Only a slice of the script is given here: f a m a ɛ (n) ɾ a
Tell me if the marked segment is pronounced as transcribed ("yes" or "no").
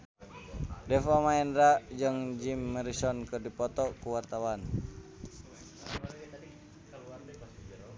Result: yes